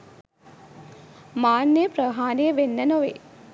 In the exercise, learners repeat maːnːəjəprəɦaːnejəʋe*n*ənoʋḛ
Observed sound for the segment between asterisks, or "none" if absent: nː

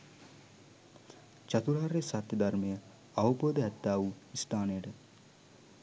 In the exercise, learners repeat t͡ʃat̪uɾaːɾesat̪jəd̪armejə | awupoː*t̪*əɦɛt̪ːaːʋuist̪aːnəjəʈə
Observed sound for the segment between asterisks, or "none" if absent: d̪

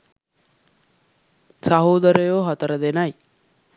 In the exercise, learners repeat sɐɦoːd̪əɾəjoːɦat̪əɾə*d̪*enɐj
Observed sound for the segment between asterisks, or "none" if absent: d̪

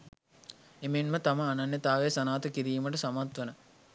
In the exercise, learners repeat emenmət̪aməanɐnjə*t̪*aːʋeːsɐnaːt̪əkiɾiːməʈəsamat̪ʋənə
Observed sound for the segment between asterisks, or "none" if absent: t̪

